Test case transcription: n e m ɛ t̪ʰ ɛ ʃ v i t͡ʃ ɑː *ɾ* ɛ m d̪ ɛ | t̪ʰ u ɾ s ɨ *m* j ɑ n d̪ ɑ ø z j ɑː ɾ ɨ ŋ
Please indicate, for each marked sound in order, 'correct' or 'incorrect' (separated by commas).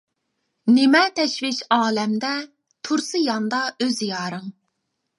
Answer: incorrect, incorrect